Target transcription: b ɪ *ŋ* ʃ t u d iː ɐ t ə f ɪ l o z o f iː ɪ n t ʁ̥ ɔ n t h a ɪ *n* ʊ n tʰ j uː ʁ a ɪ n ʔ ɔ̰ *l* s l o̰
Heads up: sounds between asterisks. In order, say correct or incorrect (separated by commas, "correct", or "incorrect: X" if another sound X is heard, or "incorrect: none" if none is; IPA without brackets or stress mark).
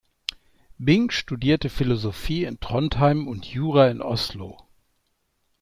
correct, incorrect: m, incorrect: none